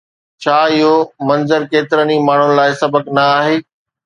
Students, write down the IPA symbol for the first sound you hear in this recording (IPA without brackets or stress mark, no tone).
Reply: t͡ɕʰ